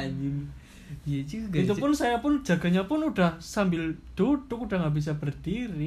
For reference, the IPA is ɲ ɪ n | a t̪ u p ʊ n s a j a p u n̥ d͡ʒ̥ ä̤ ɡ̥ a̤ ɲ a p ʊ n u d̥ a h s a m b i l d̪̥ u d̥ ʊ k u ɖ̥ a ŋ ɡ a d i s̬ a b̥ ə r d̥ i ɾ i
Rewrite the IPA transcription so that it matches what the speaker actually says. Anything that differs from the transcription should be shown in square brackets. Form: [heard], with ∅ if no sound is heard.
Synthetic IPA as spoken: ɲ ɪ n | [i] t̪ u p ʊ n s a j a p [ʊ] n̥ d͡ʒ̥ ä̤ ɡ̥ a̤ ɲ a p ʊ n u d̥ a h s a m b [ɪ] l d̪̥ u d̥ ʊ k u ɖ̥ a ŋ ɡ a [b] i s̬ a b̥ ə r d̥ i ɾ i